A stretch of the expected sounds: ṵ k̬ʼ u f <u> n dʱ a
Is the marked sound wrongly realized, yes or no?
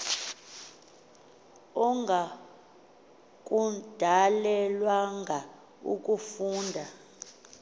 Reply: yes